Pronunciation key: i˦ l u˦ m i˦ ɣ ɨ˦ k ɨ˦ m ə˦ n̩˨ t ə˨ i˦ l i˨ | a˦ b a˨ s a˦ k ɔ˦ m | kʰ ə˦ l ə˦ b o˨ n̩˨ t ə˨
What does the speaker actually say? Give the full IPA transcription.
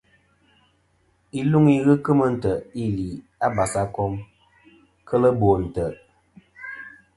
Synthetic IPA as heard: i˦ l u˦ ŋ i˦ ɣ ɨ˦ k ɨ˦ m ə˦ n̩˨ t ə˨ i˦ l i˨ | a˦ b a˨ s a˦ k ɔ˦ m | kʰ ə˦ l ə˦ b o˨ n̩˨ t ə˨